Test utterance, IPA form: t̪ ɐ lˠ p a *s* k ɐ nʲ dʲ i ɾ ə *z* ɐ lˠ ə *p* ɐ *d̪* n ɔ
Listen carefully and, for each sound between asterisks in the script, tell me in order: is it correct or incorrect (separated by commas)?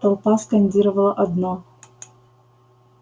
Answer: correct, incorrect, incorrect, correct